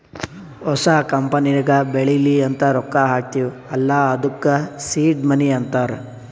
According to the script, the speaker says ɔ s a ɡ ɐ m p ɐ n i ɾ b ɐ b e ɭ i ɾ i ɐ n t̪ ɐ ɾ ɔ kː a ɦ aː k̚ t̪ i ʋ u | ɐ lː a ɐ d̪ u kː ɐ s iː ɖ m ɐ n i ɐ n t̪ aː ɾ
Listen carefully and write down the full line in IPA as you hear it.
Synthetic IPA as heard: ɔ s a k ɐ m p ɐ n i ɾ ɡ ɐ b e ɭ i l i ɐ n t̪ ɐ ɾ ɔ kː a ɦ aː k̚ t̪ i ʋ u | ɐ lː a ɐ d̪ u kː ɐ s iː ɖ m ɐ n i ɐ n t̪ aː ɾ